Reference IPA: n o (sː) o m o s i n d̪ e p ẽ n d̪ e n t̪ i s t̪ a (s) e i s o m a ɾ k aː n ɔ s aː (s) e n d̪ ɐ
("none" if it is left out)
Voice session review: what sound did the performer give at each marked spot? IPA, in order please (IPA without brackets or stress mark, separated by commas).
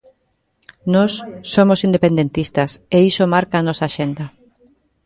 sː, s, ʃ